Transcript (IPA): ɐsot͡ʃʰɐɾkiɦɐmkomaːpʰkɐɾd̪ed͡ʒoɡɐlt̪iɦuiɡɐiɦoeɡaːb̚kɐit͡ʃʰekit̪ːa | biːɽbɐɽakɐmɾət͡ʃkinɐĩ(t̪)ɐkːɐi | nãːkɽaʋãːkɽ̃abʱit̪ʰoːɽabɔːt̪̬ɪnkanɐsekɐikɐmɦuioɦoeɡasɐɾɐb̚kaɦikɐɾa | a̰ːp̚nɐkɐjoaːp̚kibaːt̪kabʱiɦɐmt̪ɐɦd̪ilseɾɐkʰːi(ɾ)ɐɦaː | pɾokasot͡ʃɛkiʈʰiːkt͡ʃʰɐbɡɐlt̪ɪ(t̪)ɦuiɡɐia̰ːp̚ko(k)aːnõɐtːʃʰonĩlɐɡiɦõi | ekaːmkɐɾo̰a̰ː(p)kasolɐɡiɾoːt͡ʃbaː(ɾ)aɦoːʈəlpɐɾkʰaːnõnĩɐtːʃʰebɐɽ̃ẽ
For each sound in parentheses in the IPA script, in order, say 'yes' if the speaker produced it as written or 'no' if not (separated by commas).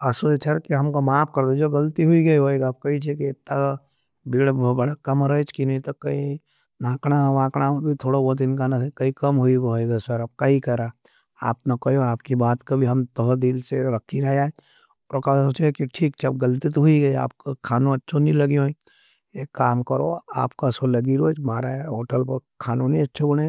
yes, yes, yes, no, yes, yes